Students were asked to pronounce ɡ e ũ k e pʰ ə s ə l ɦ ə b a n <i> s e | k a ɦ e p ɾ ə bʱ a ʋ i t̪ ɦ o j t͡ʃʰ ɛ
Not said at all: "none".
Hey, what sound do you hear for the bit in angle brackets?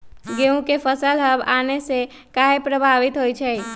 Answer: e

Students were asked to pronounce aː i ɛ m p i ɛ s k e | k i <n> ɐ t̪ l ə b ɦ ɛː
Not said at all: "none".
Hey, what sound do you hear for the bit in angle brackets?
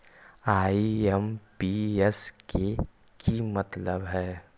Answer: m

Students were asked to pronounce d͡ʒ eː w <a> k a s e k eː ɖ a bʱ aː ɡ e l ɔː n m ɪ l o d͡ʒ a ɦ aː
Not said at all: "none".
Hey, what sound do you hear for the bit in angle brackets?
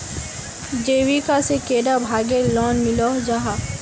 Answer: i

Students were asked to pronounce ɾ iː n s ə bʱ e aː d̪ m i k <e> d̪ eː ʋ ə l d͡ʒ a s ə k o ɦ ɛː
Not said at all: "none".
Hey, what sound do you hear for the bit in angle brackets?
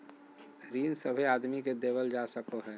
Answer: e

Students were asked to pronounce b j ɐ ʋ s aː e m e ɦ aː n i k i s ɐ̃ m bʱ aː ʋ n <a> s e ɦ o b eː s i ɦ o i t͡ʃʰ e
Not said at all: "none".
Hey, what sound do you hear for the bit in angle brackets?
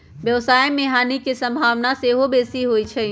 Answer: a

